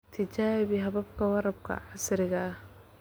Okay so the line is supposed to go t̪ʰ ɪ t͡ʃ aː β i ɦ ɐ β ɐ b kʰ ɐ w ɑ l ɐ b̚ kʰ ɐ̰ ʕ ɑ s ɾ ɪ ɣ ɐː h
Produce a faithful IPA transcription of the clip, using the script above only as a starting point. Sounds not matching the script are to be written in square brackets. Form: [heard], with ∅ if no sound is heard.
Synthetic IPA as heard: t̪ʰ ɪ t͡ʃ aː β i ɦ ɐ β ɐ b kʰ ɐ w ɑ [ɾ] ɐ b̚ kʰ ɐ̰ ʕ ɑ s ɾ ɪ ɣ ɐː h

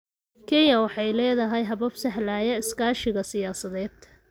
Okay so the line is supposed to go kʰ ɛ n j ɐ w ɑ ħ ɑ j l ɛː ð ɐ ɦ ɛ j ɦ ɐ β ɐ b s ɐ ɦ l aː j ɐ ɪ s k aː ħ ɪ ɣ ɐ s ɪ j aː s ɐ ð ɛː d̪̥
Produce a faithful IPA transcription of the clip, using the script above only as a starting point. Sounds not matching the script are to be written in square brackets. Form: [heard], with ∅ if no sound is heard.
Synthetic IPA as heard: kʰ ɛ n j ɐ w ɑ ħ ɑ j l ɛː ð ɐ ɦ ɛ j ɦ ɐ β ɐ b s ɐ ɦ l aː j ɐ ɪ s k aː [ʃ] ɪ ɣ ɐ s ɪ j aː s ɐ ð ɛː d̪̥

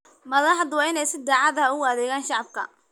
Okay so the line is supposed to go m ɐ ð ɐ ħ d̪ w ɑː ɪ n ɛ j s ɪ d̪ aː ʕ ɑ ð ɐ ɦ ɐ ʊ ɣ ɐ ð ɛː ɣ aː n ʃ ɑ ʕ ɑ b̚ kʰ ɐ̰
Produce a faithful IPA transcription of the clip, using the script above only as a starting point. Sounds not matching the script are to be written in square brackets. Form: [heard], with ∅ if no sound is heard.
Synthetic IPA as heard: m ɐ ð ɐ ħ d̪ w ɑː ɪ n ɛ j s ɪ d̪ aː ʕ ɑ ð ɐ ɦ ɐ ʊ ɣ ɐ ð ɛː ɣ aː n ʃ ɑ ʕ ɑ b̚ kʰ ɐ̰

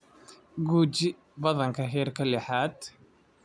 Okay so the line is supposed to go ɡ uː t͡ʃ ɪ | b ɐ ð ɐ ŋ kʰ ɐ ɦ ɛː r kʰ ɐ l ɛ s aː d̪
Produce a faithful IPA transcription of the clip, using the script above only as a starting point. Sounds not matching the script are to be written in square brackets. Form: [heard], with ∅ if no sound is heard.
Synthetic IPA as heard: ɡ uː t͡ʃ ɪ | b ɐ ð ɐ ŋ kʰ ɐ ɦ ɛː r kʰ ɐ l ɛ [ħ] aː d̪

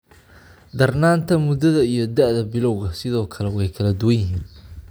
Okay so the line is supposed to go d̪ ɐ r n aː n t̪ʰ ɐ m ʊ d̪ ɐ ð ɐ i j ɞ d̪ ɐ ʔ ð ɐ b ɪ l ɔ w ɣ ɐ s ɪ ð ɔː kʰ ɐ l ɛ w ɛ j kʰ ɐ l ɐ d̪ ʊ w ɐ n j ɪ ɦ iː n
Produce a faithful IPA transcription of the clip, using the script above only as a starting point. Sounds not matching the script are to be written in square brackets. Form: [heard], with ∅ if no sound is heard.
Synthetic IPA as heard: d̪ ɐ r n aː n t̪ʰ ɐ m ʊ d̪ ɐ ð ɐ i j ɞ d̪ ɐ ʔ ð ɐ b ɪ l ɔ w ɣ ɐ s ɪ ð ɔː kʰ ɐ l ɛ w ɛ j kʰ ɐ l ɐ d̪ ʊ w ɐ n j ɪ ɦ iː n

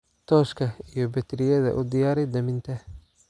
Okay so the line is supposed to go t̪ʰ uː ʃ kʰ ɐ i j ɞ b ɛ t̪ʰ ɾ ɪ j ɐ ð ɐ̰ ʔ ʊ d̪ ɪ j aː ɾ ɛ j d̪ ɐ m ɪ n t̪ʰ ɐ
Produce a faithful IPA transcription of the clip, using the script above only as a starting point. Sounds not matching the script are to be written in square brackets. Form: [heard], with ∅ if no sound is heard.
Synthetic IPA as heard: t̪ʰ [ɔː] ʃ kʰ ɐ i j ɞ b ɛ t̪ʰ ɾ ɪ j ɐ ð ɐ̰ ʔ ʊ d̪ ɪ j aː ɾ ɛ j d̪ ɐ m ɪ n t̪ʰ ɐ

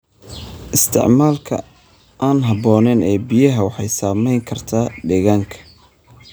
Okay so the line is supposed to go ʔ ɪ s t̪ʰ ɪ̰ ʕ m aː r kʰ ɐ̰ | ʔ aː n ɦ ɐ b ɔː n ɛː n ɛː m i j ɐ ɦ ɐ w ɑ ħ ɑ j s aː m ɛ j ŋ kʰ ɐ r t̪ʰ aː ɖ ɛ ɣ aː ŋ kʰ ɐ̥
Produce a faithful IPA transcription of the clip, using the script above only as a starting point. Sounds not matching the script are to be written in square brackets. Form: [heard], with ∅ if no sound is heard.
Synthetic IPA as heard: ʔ ɪ s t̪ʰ ɪ̰ ʕ m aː [l] kʰ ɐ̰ | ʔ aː n ɦ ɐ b ɔː n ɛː n ɛː [b] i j ɐ ɦ ɐ w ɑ ħ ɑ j s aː m ɛ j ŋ kʰ ɐ r t̪ʰ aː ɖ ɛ ɣ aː ŋ kʰ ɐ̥

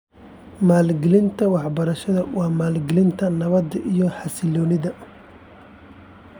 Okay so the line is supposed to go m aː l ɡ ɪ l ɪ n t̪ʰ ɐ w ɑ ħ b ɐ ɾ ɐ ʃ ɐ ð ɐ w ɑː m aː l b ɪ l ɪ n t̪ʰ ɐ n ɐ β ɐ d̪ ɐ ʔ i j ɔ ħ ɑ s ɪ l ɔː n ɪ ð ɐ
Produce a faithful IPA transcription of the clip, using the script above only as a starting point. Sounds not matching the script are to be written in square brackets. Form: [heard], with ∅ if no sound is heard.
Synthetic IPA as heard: m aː l ɡ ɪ l ɪ n t̪ʰ ɐ w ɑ ħ b ɐ ɾ ɐ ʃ ɐ ð ɐ w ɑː m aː l [ɡ] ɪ l ɪ n t̪ʰ ɐ n ɐ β ɐ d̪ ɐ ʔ i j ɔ ħ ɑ s ɪ l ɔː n ɪ ð ɐ

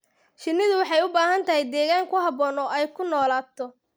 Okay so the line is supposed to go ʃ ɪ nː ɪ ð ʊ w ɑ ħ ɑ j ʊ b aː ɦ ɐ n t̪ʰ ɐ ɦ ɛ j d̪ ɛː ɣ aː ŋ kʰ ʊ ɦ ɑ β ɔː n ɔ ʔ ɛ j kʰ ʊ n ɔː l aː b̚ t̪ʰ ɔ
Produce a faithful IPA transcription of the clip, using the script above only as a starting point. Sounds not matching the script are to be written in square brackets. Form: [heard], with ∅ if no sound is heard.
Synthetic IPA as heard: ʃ ɪ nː ɪ ð ʊ w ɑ ħ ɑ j ʊ b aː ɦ ɐ n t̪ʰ ɐ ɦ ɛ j d̪ ɛː ɣ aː ŋ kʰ ʊ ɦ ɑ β ɔː n ɔ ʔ ɛ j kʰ ʊ n ɔː l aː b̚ t̪ʰ ɔ

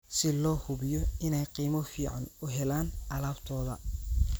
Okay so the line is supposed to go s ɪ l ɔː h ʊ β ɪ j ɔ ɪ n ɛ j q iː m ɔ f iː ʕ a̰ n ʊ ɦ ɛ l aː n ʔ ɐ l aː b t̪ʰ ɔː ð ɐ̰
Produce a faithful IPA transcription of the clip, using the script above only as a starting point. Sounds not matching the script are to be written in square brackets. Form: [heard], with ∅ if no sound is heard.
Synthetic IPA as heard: s ɪ l ɔː h ʊ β ɪ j ɔ ɪ n ɛ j q iː m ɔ f iː ʕ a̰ n ʊ ɦ ɛ l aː n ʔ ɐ l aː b t̪ʰ ɔː ð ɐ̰

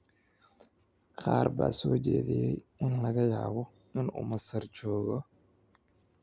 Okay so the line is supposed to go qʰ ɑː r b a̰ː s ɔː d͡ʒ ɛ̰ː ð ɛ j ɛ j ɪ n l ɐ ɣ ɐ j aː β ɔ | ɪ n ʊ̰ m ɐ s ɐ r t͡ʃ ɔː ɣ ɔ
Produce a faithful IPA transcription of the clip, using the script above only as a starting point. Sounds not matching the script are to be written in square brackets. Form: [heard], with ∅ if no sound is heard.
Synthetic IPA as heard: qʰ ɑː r b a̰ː s ɔː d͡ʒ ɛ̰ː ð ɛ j ɛ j ɪ n l ɐ ɣ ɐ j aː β ɔ | ɪ n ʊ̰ m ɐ s ɐ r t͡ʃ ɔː ɣ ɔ

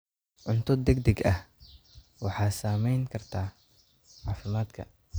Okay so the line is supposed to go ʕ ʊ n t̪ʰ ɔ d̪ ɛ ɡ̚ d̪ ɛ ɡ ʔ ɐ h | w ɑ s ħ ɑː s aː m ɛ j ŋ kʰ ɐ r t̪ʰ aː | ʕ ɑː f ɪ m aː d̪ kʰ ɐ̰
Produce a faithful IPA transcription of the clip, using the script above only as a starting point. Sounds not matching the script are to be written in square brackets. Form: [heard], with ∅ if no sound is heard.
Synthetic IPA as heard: ʕ ʊ n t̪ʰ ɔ d̪ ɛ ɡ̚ d̪ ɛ ɡ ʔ ɐ h | w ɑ [∅] ħ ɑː s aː m ɛ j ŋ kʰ ɐ r t̪ʰ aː | ʕ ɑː f ɪ m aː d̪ kʰ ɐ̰

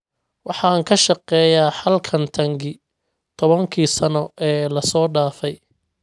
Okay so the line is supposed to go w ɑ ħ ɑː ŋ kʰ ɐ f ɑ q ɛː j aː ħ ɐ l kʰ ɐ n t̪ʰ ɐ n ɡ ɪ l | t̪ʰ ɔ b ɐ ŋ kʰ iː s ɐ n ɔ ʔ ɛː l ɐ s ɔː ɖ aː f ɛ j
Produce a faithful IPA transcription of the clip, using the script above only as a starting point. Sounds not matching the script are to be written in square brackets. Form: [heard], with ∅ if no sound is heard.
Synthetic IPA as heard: w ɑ ħ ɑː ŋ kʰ ɐ [ʃ] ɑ q ɛː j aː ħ ɐ l kʰ ɐ n t̪ʰ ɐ [ŋ] ɡ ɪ [∅] | t̪ʰ ɔ [β] ɐ ŋ kʰ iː s ɐ n ɔ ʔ ɛː l ɐ s ɔː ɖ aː f ɛ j

